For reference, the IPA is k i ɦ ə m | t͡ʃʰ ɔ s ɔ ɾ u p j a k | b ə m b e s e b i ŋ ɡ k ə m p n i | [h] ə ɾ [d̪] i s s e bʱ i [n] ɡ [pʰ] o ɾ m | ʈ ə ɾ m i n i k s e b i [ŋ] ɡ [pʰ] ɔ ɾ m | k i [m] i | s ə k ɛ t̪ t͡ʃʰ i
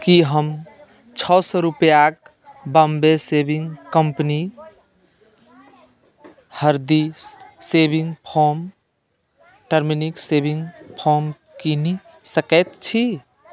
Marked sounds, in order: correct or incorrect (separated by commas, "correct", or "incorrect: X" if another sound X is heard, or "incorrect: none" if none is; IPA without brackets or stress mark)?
correct, correct, incorrect: ŋ, correct, correct, correct, incorrect: n